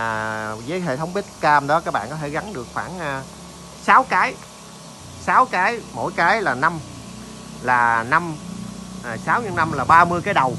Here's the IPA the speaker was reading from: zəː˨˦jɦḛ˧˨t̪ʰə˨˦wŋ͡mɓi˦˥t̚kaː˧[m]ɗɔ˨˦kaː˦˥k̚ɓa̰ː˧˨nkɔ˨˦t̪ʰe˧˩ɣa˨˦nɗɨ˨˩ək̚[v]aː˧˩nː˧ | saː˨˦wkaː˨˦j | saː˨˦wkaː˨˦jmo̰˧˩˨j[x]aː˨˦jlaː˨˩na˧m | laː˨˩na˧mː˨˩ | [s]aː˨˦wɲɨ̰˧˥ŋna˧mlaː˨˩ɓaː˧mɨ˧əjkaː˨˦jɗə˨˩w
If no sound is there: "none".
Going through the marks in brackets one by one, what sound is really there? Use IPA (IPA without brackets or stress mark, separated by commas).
m, f, k, s